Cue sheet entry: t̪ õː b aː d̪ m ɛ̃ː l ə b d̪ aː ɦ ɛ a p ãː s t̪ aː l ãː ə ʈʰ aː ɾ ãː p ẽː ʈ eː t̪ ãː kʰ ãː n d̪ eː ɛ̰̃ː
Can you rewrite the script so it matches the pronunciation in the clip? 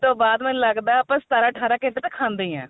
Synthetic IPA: t̪ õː b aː d̪ m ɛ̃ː l ə ɡ d̪ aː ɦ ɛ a p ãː s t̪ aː ɾ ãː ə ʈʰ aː ɾ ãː k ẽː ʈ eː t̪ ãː kʰ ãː n d̪ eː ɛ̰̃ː